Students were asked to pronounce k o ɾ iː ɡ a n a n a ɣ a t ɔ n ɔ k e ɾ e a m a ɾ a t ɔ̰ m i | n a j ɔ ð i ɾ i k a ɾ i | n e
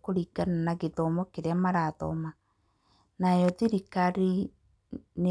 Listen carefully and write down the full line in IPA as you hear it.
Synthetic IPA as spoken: k o ɾ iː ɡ a n a n a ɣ e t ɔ m ɔ k e ɾ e a m a ɾ a t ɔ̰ m a | n a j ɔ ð i ɾ i k a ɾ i | n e

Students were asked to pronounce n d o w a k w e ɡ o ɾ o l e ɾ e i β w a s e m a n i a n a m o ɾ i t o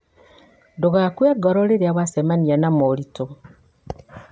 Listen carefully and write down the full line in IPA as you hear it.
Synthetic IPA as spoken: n d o ɣ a k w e ɡ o ɾ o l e ɾ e a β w a s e m a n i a n a m o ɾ i t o

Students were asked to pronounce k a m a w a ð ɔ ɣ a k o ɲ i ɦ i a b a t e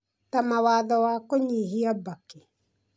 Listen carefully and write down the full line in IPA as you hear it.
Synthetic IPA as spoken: t a m a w a ð ɔ w a k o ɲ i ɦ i a b a k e

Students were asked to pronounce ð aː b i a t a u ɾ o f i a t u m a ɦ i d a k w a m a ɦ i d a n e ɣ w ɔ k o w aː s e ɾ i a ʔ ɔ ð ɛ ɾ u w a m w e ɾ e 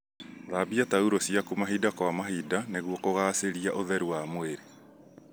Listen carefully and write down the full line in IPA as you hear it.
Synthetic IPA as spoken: ð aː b i a t a u ɾ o s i a k u m a ɦ i d a k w a m a ɦ i d a n e ɣ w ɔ k o ɣ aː s e ɾ i a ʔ o ð ɛ ɾ u w a m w e ɾ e

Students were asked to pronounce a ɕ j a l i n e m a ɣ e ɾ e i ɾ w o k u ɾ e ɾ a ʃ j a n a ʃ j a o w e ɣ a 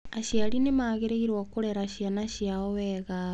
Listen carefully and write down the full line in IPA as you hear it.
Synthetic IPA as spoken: a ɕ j a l i n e m a ɣ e ɾ e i ɾ w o k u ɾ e ɾ a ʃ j a n a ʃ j a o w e ɣ a

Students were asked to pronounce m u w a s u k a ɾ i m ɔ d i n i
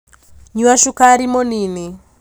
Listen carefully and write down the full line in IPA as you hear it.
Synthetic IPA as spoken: ɲ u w a ʃ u k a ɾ i m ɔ n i n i

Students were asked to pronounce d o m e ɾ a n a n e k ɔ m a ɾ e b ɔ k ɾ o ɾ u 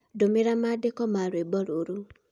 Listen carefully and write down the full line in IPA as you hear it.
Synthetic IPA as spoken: d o m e ɾ a m a d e k ɔ m a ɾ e b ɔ ɾ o ɾ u

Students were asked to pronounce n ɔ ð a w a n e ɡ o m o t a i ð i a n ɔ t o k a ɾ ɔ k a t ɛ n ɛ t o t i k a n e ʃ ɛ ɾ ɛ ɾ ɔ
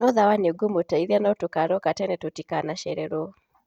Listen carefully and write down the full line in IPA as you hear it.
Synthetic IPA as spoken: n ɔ ð a w a n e ɡ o m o t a i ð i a n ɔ t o k a ɾ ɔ k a t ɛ n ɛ t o t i k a n a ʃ ɛ ɾ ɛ ɾ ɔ

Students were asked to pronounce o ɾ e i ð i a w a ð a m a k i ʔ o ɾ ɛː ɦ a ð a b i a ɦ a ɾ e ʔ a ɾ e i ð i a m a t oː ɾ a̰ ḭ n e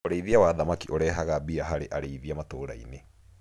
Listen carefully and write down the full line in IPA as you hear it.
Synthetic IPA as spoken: o ɾ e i ð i a w a ð a m a k i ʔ o ɾ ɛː ɦ a ɣ a b i a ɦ a ɾ e ʔ a ɾ e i ð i a m a t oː ɾ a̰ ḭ n e

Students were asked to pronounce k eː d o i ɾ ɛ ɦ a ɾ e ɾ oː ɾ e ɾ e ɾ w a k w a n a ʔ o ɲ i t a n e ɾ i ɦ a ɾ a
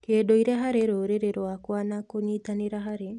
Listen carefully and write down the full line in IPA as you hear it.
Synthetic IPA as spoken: k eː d o i ɾ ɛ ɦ a ɾ e ɾ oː ɾ e ɾ e ɾ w a k w a n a k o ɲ i t a n e ɾ a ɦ a ɾ e

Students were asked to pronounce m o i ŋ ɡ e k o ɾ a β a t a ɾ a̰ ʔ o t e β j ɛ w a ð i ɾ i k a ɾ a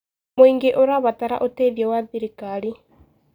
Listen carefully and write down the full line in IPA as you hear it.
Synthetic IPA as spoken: m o i ŋ ɡ e ʔ o ɾ a β a t a ɾ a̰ ʔ o t e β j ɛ w a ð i ɾ i k a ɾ i

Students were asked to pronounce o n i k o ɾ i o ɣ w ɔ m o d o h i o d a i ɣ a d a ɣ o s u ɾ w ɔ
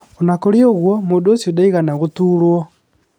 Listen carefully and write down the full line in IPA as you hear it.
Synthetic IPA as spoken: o n a k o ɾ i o ɣ w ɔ m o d o s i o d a i ɣ a n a ɣ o t u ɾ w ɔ

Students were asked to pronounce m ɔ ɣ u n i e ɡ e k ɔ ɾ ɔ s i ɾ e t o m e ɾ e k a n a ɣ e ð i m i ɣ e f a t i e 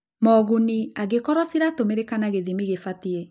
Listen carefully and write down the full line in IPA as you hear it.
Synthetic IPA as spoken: m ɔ ɣ u n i a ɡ e k ɔ ɾ ɔ s i ɾ a t o m e ɾ e k a n a ɣ e ð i m i ɣ e f a t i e

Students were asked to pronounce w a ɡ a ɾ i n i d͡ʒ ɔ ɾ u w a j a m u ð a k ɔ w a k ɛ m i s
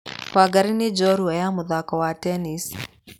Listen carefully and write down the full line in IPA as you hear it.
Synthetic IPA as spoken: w a ɡ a ɾ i n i d͡ʒ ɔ ɾ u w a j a m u ð a k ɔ w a t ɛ n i s

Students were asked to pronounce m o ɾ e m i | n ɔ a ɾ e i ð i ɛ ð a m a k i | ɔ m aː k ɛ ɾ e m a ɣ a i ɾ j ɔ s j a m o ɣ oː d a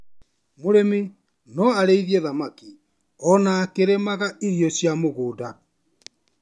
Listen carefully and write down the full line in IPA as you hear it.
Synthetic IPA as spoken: m o ɾ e m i | n ɔ a ɾ e i ð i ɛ ð a m a k i | ɔ n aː k e ɾ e m a ɣ a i ɾ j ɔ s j a m o ɣ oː d a

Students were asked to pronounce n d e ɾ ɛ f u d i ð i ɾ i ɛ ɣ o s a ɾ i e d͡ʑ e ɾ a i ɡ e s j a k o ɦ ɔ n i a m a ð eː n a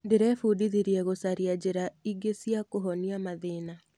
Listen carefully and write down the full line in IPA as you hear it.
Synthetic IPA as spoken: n d e ɾ ɛ f u d i ð i ɾ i ɛ ɣ o s a ɾ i a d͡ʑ e ɾ a i ɡ e s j a k o ɦ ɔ n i a m a ð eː n a

